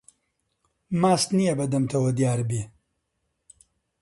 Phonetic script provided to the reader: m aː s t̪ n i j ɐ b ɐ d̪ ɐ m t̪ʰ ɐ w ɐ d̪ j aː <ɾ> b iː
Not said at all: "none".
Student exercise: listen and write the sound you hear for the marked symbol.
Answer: ɾ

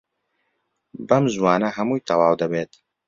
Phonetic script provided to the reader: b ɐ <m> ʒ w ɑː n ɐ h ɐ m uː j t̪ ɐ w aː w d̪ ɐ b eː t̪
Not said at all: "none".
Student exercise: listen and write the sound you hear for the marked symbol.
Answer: m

